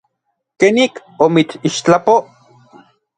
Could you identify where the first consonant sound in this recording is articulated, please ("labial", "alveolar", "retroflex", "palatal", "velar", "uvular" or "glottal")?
velar